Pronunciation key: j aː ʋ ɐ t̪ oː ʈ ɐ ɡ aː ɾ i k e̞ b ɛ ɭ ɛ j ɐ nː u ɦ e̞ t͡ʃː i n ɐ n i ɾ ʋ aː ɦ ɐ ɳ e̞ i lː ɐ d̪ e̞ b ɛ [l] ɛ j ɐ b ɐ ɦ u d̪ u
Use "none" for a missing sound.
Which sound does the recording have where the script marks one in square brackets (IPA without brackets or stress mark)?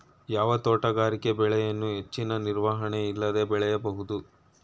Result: ɭ